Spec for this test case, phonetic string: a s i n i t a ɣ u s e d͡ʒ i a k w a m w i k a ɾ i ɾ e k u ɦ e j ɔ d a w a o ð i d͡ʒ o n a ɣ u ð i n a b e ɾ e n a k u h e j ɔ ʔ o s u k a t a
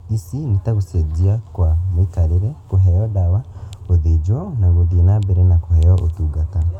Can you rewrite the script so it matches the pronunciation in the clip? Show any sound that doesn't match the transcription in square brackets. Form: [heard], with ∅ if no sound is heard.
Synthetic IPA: [i] s i n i t a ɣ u s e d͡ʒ i a k w a m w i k a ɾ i ɾ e k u ɦ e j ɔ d a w a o ð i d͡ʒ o n a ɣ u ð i n a b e ɾ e n a k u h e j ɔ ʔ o [t] u [ɡ] a t a